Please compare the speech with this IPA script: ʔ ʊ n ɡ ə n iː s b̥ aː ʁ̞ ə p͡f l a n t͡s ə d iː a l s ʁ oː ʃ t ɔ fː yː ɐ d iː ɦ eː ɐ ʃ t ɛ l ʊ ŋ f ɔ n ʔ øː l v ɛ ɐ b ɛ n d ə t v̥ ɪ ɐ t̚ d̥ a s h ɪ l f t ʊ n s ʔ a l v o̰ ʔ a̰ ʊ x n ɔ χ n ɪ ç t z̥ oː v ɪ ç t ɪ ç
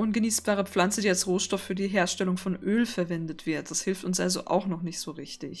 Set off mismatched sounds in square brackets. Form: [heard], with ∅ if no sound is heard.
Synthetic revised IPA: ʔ ʊ n ɡ ə n iː s b̥ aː ʁ̞ ə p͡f l a n t͡s ə d iː a l s ʁ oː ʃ t ɔ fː yː ɐ d iː ɦ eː ɐ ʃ t ɛ l ʊ ŋ f ɔ n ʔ øː l [f] ɛ ɐ [v] ɛ n d ə t v̥ ɪ ɐ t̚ d̥ a s h ɪ l f t ʊ n s ʔ a l [z] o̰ ʔ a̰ ʊ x n ɔ χ n ɪ ç t z̥ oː [ʁ] ɪ ç t ɪ ç